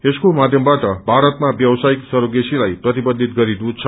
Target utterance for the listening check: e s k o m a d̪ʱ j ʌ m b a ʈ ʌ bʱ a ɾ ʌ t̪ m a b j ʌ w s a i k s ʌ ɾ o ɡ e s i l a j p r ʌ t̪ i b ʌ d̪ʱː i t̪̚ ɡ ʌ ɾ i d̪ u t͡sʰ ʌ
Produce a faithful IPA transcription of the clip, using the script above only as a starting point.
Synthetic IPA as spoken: e s k o m a d̪ʱ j ʌ m b a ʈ ʌ bʱ a ɾ ʌ t̪ m a b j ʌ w s a i k s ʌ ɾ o ɡ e s i l a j p r ʌ t̪ i b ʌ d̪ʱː i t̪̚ ɡ ʌ ɾ i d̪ u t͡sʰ ʌ